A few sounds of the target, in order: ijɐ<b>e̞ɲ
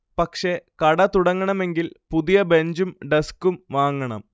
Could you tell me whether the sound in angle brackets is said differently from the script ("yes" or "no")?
no